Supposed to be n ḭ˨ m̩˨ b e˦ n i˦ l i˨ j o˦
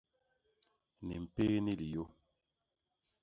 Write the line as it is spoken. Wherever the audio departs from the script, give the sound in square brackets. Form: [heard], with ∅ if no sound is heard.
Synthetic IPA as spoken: n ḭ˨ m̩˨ [p] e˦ n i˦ l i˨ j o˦